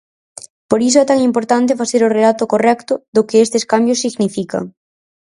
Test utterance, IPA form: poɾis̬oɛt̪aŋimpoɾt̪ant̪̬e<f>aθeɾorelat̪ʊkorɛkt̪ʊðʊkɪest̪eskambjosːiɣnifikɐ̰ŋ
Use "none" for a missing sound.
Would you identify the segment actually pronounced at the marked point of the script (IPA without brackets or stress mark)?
f